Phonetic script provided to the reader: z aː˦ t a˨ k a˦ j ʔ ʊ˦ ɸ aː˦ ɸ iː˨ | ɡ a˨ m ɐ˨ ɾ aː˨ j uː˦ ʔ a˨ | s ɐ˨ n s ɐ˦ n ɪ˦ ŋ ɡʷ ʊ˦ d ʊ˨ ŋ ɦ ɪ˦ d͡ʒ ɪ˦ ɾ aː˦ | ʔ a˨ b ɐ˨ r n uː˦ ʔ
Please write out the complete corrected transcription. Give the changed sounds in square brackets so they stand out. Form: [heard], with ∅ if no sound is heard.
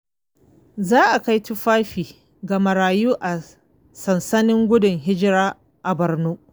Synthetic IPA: z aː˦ [ʔ] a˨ k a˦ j [t] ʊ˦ ɸ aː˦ ɸ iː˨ | ɡ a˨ m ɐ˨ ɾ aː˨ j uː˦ ʔ a˨ | s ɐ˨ n s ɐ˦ n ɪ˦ ŋ ɡʷ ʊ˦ d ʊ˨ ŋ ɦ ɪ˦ d͡ʒ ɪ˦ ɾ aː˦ | ʔ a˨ b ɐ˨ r n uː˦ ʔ